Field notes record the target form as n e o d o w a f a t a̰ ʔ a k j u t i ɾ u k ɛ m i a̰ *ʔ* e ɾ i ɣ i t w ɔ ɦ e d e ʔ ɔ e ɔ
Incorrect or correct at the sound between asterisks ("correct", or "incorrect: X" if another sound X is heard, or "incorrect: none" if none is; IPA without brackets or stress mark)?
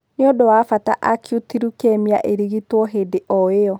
correct